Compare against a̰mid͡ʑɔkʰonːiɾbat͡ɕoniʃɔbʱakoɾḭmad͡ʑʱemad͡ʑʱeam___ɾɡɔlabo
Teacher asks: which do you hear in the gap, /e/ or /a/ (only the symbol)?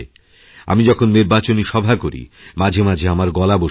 a